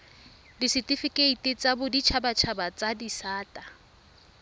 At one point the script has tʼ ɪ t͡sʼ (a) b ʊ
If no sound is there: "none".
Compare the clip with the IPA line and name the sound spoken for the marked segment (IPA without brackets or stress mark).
a